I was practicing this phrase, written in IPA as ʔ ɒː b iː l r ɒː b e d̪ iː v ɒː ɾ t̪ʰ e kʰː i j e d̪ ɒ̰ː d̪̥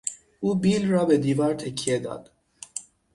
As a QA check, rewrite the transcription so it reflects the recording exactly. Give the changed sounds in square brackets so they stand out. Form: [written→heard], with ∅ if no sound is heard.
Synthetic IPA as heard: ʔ [ɒː→uː] b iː l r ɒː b e d̪ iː v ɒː ɾ t̪ʰ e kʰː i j e d̪ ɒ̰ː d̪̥